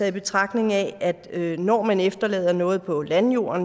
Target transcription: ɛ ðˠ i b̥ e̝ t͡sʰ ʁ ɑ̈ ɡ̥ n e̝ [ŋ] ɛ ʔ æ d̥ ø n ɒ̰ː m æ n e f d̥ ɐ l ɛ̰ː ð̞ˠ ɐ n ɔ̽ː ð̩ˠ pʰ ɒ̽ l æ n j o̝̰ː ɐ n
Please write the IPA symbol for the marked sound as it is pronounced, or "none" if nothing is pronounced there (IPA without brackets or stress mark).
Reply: ŋ